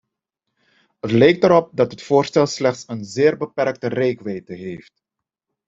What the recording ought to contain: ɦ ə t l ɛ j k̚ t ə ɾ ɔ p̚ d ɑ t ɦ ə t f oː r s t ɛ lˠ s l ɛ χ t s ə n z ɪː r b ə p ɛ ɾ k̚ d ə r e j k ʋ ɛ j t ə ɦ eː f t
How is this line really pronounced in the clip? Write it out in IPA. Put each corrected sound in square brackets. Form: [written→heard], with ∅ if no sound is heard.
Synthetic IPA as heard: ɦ ə t l ɛ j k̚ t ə ɾ ɔ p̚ d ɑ t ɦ ə t f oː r s t ɛ lˠ s l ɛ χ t s ə n z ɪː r b ə p ɛ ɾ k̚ [d→t] ə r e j k ʋ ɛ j t ə ɦ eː f t